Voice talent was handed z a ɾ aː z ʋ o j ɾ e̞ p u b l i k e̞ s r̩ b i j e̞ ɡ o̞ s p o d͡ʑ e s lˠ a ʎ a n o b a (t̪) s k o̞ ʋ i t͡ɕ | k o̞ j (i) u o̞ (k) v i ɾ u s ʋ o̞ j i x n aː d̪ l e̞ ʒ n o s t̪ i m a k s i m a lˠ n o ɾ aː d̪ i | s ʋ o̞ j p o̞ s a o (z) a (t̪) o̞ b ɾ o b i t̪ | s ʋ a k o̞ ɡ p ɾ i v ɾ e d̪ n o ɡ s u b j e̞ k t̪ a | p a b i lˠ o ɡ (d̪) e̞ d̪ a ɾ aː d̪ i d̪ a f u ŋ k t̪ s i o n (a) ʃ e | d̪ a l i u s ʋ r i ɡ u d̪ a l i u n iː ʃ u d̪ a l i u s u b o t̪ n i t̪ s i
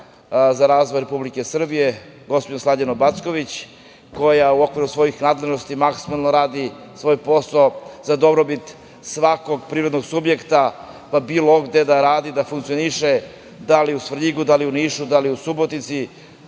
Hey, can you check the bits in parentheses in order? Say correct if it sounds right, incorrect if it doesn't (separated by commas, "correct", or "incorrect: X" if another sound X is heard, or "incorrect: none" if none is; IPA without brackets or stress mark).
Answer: correct, incorrect: a, correct, correct, incorrect: d̪, correct, incorrect: i